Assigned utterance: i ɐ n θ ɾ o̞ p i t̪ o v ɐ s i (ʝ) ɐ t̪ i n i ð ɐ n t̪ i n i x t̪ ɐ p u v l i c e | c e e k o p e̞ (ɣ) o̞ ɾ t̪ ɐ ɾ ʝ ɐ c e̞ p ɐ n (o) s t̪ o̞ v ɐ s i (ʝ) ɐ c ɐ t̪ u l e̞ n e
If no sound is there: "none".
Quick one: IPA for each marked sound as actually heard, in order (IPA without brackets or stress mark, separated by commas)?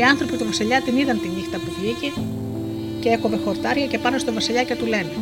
ʎ, x, o, ʎ